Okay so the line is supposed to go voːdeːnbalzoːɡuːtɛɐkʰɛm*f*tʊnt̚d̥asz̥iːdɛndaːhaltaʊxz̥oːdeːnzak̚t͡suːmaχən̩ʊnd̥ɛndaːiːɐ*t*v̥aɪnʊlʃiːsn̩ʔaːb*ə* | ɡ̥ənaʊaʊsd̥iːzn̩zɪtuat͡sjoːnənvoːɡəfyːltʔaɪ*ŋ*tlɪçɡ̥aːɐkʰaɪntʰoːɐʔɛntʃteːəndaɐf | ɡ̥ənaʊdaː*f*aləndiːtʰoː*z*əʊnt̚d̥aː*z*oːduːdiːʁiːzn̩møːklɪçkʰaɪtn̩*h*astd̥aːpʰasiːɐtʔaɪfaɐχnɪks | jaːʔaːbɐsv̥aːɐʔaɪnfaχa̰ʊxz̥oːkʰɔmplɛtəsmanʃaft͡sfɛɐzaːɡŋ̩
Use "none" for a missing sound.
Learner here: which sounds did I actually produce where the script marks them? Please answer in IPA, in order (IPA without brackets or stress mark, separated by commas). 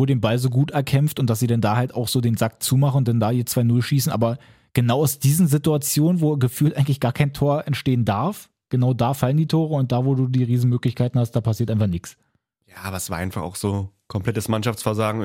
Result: f, t͡s, ɐ, ŋ, f, ʁ, v, h